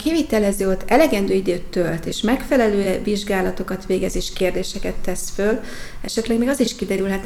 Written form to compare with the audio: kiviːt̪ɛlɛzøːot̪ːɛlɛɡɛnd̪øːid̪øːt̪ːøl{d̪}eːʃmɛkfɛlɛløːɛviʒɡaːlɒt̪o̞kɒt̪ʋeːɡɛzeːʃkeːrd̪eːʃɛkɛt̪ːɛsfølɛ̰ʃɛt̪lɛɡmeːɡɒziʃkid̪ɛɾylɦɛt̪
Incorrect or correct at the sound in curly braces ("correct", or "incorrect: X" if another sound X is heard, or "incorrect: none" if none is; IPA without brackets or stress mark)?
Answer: incorrect: t̪